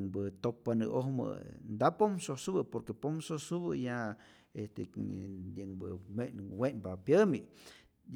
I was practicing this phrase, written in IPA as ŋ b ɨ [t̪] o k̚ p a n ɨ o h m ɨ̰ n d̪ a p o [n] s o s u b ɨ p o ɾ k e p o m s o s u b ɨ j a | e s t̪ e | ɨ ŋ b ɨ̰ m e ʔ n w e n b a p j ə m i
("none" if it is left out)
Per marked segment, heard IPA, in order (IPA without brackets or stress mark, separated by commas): t̪, m